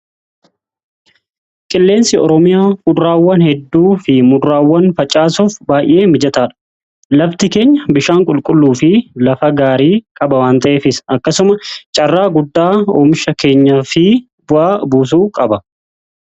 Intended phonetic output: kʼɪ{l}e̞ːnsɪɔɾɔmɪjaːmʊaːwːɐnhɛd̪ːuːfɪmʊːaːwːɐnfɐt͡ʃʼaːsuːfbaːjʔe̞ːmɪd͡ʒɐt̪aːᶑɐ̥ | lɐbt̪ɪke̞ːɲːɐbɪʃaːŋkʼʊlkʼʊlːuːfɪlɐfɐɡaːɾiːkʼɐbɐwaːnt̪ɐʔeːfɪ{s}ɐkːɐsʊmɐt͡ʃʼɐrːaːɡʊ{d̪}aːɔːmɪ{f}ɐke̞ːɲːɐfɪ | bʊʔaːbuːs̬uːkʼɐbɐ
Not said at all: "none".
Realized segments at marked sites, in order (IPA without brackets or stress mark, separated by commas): lː, s, d̪ː, ʃ